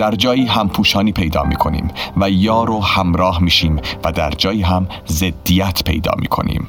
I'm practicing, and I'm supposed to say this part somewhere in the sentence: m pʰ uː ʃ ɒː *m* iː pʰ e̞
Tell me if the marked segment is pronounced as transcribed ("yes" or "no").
no